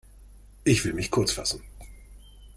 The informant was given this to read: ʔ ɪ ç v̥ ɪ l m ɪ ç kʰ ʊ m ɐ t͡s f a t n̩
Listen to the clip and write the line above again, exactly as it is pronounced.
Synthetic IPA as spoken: ʔ ɪ ç v̥ ɪ l m ɪ ç kʰ ʊ ɐ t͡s f a s n̩